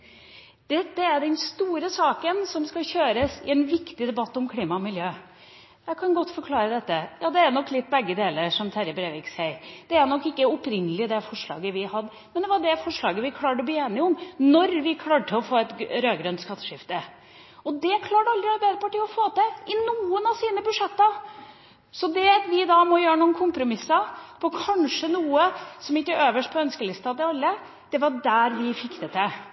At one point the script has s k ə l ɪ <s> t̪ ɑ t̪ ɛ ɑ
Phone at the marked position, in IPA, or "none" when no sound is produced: s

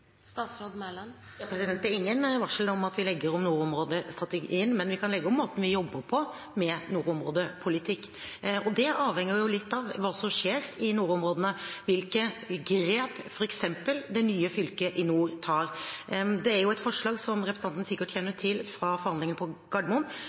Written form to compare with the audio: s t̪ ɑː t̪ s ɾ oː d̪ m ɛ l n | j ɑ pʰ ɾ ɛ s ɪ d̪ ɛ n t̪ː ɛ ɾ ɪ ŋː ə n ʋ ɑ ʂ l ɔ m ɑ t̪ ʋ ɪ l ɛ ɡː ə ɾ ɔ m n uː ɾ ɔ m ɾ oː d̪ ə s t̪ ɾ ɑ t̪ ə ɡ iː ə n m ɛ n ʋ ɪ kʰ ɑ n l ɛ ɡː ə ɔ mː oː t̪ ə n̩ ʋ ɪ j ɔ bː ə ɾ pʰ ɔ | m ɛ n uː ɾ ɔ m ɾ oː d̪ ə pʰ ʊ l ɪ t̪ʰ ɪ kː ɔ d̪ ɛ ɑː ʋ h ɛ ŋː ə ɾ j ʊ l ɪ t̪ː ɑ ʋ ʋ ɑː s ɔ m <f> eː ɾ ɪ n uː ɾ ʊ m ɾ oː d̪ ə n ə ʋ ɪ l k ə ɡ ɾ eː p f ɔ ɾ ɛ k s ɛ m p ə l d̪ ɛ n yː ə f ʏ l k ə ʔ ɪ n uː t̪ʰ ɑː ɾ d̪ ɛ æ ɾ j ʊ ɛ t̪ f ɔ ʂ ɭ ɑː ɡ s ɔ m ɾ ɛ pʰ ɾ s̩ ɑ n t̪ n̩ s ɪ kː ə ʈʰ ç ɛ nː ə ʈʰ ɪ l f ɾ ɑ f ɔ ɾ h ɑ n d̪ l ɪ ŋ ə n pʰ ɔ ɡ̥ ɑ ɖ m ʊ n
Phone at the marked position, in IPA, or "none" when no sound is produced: ʂ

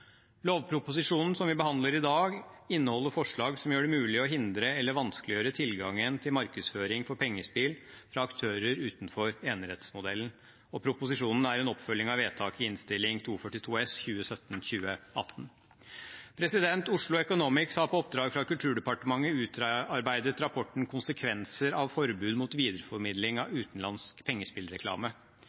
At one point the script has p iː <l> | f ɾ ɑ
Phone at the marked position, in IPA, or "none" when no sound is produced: l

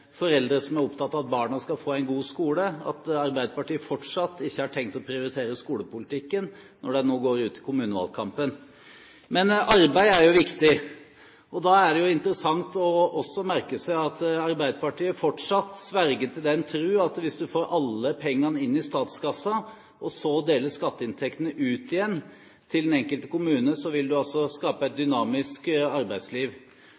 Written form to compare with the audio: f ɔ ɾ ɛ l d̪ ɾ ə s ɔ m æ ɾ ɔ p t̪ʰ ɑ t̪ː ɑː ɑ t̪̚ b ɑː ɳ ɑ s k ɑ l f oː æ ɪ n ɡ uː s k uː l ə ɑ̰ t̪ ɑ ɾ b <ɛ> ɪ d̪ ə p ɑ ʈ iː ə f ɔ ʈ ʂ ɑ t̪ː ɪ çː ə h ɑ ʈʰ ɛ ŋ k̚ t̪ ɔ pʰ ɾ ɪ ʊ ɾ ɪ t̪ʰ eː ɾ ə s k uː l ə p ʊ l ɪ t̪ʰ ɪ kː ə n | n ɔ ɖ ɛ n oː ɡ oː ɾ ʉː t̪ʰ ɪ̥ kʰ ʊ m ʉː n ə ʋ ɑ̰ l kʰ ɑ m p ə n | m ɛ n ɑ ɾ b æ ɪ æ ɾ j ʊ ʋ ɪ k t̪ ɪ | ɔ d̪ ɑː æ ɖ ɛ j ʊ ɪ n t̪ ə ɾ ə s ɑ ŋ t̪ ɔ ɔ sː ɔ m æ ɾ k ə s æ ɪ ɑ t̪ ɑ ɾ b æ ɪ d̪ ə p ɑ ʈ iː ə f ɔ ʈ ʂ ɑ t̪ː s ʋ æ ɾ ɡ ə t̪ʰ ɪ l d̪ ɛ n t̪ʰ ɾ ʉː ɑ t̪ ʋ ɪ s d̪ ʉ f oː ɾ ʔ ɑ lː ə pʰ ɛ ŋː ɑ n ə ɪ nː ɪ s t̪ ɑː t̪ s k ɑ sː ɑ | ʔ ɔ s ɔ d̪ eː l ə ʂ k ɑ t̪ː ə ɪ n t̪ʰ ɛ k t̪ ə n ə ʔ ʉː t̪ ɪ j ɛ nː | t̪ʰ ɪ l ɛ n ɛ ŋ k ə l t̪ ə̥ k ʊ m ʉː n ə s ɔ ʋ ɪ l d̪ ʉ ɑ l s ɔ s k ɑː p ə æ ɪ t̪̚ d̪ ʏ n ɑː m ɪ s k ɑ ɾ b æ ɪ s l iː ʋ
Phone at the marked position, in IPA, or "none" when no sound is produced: æ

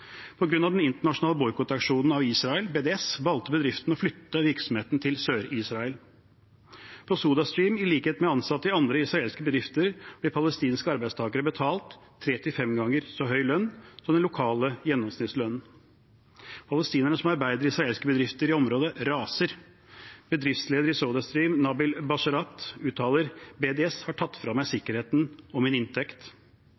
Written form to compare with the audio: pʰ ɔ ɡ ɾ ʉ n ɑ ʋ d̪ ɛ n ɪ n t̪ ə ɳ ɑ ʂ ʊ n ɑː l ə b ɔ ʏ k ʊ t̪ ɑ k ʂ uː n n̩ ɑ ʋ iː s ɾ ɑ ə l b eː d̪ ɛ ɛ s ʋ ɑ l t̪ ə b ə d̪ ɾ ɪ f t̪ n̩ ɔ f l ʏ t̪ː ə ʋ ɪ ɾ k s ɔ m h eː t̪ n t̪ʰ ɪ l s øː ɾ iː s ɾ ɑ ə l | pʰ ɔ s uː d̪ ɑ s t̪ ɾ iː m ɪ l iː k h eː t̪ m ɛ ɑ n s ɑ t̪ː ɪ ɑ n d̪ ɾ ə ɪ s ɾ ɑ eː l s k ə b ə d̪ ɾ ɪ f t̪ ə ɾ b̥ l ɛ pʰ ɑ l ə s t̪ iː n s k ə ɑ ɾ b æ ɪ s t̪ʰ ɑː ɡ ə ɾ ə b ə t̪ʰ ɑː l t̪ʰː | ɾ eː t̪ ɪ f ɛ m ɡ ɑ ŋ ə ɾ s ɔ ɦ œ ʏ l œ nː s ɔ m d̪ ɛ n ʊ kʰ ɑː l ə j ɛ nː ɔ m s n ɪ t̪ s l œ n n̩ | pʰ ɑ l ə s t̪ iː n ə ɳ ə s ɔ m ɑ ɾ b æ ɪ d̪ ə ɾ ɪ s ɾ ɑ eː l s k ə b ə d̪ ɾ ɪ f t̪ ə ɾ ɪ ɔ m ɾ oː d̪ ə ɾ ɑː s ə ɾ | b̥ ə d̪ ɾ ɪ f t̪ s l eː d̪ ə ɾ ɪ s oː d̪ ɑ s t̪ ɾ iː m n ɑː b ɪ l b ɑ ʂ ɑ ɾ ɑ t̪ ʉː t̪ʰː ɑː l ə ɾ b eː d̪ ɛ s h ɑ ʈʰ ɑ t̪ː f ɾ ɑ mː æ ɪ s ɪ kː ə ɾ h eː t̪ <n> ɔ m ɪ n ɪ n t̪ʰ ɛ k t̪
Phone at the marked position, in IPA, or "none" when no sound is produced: n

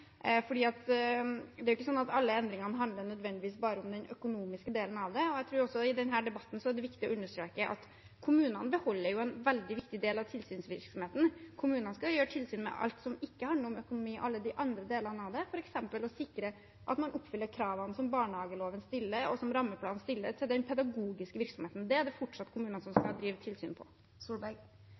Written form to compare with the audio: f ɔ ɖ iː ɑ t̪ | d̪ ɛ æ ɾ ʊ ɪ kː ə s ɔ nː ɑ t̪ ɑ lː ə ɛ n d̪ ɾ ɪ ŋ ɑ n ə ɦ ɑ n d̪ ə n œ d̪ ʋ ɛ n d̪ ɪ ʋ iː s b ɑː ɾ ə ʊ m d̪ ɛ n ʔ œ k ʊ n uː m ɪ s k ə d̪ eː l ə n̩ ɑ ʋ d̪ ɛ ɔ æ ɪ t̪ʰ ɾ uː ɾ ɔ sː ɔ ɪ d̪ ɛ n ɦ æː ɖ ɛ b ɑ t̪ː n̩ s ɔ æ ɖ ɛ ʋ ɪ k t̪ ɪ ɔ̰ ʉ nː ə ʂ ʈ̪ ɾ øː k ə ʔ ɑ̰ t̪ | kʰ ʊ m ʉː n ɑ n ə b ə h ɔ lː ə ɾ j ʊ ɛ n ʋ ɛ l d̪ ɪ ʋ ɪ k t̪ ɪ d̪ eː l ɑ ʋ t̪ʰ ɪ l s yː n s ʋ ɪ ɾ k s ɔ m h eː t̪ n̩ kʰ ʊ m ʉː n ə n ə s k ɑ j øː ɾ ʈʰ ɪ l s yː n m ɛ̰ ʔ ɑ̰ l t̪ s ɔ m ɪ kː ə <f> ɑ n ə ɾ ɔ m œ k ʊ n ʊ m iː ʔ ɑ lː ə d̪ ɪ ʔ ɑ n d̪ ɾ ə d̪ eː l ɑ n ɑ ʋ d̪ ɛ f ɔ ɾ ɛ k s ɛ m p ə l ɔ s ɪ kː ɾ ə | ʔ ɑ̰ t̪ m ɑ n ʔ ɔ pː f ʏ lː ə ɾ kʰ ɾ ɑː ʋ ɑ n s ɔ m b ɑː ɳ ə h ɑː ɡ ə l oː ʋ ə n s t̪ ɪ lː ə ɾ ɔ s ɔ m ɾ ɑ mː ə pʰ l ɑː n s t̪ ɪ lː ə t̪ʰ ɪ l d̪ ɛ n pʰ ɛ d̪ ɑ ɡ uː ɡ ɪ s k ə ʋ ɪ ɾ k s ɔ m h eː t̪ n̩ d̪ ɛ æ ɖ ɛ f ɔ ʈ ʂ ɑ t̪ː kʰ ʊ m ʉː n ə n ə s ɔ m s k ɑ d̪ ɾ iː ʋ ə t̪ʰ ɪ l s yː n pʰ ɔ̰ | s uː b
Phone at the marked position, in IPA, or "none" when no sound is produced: h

